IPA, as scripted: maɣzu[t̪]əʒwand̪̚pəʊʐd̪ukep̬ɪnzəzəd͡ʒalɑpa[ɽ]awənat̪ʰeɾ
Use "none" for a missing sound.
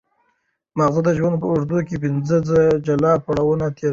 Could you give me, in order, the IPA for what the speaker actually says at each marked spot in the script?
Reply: d̪, ɽ

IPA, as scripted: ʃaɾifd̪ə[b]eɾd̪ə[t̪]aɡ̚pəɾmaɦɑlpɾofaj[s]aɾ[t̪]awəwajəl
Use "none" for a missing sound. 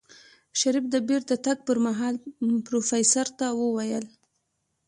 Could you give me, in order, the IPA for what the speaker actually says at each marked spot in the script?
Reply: b, t̪, s, t̪

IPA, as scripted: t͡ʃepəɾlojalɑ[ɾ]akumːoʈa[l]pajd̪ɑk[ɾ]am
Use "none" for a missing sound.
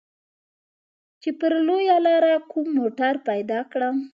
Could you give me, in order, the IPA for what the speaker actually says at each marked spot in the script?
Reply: ɾ, ɾ, ɽ

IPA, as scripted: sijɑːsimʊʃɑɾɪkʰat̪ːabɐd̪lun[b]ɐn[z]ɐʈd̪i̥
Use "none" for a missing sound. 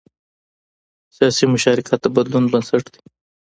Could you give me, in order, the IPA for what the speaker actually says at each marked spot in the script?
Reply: b, s

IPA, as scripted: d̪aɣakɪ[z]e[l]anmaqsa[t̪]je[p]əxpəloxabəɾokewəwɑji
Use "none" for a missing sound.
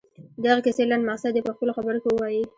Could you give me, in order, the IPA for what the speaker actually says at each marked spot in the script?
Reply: s, l, d̪, p

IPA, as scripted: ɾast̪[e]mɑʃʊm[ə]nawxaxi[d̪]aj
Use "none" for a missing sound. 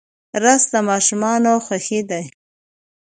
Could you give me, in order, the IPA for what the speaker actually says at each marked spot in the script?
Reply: a, ɑ, d̪

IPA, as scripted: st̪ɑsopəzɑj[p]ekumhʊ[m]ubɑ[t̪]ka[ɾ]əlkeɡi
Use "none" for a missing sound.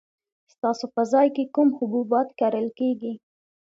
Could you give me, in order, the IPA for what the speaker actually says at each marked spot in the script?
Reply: k, b, t̪, ɾ

